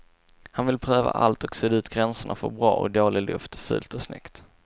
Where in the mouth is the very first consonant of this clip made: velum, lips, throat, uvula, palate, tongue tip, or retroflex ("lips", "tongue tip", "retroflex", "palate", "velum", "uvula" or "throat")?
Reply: throat